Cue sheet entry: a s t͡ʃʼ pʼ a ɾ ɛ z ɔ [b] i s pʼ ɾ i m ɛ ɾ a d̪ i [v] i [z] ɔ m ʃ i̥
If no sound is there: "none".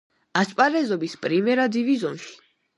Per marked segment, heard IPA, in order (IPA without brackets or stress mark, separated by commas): b, v, z